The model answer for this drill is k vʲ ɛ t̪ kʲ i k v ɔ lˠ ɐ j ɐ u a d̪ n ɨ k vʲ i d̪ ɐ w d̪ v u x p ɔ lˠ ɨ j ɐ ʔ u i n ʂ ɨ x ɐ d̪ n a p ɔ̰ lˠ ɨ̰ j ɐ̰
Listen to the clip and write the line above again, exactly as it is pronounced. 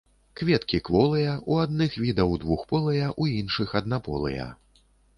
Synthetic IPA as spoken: k vʲ ɛ t̪ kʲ i k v ɔ lˠ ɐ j ɐ u a d̪ n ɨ x vʲ i d̪ ɐ w d̪ v u x p ɔ lˠ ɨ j ɐ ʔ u i n ʂ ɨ x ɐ d̪ n a p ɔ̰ lˠ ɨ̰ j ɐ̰